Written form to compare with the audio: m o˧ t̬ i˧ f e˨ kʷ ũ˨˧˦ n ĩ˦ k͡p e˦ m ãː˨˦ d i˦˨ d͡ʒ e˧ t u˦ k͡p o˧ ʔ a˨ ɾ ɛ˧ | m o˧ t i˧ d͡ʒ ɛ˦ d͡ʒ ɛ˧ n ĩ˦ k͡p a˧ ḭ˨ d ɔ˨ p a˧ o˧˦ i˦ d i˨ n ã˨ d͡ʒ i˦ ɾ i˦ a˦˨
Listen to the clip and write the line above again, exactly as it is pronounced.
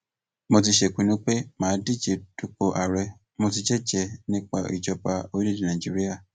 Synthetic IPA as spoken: m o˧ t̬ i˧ ʃ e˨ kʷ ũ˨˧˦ n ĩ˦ k͡p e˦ m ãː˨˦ d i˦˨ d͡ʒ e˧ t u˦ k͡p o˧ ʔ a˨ ɾ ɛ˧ | m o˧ t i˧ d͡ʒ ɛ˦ d͡ʒ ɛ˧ n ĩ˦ k͡p a˧ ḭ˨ d͡ʒ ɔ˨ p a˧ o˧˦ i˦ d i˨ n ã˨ d͡ʒ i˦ ɾ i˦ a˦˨